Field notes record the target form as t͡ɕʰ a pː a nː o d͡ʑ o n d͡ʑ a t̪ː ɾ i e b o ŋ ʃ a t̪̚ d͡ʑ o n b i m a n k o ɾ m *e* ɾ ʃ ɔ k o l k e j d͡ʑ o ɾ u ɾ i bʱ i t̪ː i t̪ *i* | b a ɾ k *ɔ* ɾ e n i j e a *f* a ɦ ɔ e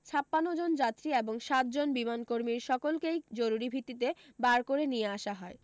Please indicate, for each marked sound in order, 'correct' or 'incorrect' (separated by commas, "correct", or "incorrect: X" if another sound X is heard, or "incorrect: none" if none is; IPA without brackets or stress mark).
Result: incorrect: i, incorrect: e, incorrect: o, incorrect: ʃ